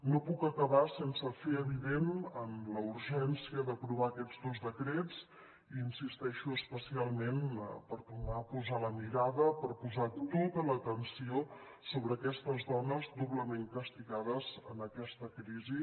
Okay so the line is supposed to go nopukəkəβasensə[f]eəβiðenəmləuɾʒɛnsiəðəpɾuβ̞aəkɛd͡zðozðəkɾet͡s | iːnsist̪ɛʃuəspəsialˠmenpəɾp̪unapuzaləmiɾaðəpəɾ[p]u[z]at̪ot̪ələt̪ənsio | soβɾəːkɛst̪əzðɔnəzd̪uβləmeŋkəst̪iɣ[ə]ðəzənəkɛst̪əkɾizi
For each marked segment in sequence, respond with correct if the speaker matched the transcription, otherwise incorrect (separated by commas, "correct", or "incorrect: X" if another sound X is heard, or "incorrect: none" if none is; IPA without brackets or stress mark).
correct, correct, correct, incorrect: a